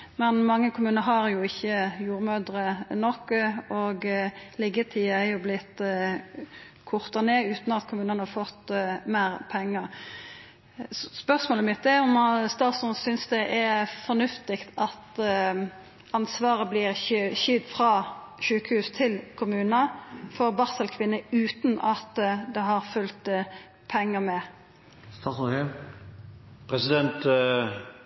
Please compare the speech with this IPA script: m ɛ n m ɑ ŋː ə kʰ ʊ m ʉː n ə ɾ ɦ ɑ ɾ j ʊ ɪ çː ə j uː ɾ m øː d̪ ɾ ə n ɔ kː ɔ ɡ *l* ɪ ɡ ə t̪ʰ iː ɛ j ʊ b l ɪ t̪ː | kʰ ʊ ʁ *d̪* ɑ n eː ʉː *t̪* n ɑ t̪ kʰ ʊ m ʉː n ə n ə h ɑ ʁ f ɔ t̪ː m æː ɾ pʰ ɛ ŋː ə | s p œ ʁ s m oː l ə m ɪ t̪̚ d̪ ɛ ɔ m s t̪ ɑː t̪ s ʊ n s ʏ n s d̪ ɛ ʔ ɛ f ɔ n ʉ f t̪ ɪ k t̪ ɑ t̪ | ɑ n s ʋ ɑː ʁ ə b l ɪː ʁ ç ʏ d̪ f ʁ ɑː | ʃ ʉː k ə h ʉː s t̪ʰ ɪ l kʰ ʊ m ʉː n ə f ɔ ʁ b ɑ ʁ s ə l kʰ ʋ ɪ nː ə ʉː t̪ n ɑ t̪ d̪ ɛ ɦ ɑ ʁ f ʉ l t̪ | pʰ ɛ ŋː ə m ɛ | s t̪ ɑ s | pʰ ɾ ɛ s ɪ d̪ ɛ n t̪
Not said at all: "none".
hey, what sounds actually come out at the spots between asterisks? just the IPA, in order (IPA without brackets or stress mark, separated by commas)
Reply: l, t̪, t̪